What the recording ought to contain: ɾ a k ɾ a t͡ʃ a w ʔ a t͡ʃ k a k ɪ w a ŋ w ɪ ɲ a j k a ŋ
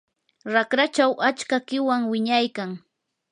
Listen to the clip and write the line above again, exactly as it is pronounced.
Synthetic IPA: ɾ a k ɾ a t͡ʃ a w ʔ a t͡ʃ k a k ɪ w a ŋ w ɪ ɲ a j k a ŋ

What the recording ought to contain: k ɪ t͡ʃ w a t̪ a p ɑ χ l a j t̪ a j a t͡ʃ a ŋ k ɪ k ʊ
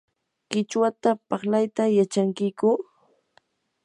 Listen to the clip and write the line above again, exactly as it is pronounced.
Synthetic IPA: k ɪ t͡ʃ w a t̪ a p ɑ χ l a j t̪ a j a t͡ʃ a ŋ k ɪ k ʊ

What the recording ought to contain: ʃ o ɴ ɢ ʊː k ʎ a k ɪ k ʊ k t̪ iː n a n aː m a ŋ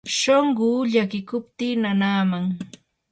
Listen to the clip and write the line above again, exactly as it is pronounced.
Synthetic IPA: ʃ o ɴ ɢ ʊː ʎ a k ɪ k ʊ p t̪ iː n a n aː m a ŋ

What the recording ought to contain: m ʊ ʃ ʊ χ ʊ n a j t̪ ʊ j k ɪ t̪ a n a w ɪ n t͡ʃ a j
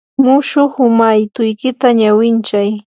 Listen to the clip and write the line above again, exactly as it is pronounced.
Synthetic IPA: m ʊ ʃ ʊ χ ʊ m a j t̪ ʊ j k ɪ t̪ a ɲ a w ɪ n t͡ʃ a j

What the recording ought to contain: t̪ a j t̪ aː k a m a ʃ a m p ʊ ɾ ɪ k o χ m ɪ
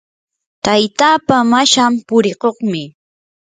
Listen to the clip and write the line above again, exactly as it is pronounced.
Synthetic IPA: t̪ a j t̪ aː p a m a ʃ a m p ʊ ɾ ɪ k o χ m ɪ

